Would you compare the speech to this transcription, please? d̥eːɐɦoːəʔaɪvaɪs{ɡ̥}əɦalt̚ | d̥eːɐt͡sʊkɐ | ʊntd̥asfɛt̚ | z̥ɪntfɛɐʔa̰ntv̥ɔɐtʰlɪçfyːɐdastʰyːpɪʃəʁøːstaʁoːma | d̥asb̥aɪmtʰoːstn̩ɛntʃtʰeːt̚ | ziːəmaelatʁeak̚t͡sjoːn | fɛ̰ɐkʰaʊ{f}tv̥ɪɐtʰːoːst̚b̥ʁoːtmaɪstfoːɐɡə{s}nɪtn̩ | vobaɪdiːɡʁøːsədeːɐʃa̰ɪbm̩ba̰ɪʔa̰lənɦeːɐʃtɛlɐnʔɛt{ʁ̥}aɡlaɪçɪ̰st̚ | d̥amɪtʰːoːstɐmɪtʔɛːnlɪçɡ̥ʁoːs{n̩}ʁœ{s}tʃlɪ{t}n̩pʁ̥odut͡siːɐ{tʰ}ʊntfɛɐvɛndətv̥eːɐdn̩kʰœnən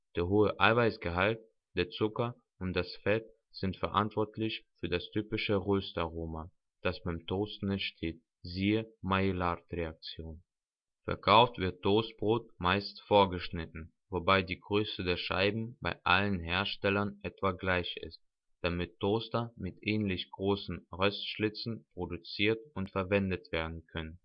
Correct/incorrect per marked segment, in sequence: correct, correct, incorrect: ʃ, incorrect: v̥, correct, correct, incorrect: t͡s, incorrect: t

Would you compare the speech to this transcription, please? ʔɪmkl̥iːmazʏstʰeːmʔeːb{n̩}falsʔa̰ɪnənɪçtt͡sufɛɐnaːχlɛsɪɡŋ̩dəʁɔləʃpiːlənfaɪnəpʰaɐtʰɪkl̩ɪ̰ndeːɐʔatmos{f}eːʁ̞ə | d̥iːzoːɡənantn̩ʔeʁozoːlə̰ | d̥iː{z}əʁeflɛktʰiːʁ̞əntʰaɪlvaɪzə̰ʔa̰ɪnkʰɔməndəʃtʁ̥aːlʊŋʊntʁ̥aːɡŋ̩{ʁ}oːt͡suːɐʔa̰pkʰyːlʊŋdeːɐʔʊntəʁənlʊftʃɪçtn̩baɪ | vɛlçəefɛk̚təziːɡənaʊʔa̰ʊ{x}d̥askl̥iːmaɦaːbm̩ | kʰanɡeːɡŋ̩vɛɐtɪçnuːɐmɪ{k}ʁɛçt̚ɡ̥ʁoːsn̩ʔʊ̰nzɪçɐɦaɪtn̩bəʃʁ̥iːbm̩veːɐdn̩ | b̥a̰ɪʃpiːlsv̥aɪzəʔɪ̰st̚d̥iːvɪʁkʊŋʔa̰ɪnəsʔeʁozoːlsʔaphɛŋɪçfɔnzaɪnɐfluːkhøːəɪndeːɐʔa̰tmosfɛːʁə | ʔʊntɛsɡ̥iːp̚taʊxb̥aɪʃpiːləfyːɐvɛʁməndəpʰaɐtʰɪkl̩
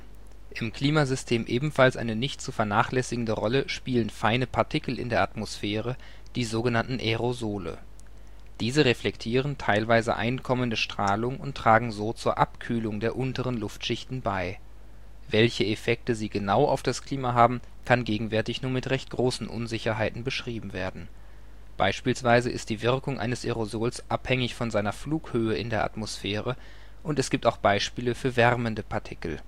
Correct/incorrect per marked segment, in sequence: incorrect: m̩, correct, correct, incorrect: z, incorrect: f, incorrect: t

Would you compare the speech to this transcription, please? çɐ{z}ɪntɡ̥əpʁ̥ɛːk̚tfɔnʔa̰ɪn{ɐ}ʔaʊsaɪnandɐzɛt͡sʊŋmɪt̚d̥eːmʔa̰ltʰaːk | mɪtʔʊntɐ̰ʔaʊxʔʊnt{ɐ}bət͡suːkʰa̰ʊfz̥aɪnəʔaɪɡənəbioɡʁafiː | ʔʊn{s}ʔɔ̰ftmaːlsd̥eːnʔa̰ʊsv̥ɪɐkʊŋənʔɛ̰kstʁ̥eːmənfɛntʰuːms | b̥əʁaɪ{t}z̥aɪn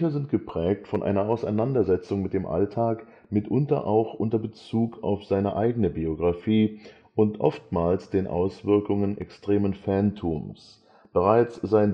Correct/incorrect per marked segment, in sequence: correct, correct, correct, incorrect: t, incorrect: t͡s

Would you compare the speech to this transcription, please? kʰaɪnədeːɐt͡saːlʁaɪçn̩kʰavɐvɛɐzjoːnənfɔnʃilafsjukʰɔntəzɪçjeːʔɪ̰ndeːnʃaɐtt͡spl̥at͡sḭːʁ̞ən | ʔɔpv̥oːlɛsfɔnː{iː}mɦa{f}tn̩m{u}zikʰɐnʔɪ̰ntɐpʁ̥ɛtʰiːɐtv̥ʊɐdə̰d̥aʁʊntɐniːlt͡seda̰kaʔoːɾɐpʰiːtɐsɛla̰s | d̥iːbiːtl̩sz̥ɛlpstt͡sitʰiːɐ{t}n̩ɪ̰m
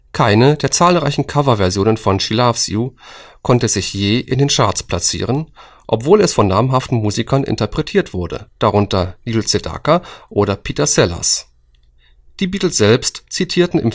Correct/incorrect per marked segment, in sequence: incorrect: aː, correct, incorrect: uː, correct

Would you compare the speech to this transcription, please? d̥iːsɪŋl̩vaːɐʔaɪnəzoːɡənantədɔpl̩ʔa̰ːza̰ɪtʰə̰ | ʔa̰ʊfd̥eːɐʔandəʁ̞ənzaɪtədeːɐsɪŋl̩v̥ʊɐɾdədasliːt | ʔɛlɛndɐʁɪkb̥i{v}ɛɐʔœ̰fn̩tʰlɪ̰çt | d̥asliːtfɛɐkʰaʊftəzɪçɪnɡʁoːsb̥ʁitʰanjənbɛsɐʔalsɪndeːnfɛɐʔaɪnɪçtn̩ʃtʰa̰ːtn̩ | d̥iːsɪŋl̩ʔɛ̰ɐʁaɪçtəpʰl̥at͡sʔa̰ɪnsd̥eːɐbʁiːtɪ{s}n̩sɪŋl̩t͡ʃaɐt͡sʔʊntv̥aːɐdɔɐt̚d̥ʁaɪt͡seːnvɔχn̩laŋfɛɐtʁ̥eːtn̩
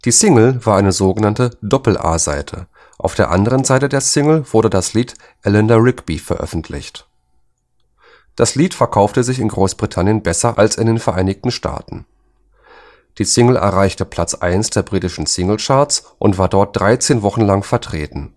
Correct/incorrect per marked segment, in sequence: incorrect: f, incorrect: ʃ

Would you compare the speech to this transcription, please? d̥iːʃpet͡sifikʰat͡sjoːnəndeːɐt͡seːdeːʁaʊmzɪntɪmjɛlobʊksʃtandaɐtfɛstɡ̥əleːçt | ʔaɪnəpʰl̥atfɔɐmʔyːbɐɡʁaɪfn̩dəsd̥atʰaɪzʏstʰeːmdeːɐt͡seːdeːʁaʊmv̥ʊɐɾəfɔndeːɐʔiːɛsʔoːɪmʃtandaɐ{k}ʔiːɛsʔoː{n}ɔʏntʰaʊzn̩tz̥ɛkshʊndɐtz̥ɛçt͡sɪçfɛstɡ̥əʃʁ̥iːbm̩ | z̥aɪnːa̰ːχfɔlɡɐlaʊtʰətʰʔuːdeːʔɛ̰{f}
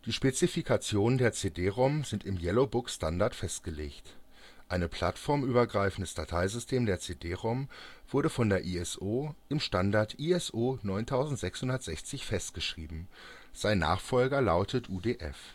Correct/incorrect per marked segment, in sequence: incorrect: t, correct, correct

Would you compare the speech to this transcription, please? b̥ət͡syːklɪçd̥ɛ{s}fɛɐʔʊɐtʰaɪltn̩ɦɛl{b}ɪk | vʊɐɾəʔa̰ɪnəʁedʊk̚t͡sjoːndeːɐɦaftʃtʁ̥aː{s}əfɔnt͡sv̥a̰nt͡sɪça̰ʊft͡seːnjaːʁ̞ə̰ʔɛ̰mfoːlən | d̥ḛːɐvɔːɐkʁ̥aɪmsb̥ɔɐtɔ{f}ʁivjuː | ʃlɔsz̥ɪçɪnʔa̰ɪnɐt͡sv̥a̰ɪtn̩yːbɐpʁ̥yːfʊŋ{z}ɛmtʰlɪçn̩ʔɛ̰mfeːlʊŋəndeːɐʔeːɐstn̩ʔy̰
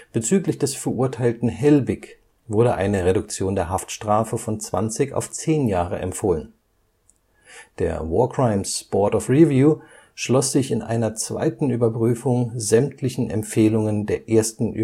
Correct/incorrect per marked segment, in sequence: correct, correct, incorrect: f, correct, correct

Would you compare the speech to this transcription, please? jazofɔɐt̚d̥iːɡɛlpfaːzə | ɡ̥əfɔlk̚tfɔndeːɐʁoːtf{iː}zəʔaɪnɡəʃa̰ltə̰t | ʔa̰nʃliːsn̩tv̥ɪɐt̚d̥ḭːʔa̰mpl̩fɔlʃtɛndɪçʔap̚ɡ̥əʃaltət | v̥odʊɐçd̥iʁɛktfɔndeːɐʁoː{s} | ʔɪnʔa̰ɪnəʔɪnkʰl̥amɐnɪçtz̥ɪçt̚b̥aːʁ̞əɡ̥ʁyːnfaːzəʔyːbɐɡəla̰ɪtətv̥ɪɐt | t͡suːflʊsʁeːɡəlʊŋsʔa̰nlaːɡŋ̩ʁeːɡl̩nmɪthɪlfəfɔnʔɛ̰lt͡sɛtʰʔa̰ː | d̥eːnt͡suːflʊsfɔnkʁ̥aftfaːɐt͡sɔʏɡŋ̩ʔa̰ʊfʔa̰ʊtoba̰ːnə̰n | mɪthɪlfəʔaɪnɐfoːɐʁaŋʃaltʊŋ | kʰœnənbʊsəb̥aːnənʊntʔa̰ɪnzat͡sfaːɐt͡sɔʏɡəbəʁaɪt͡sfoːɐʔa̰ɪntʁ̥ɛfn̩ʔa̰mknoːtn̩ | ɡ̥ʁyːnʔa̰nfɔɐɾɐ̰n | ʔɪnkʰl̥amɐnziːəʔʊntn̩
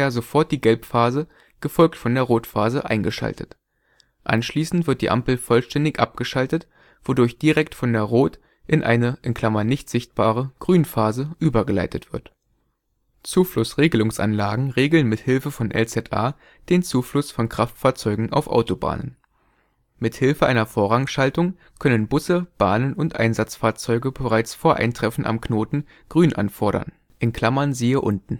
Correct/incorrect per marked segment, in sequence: incorrect: aː, incorrect: t

